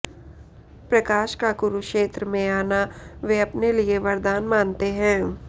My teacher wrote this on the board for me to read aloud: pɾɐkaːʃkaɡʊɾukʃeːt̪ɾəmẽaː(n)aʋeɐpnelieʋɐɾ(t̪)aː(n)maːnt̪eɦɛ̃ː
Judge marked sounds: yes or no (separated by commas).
yes, no, yes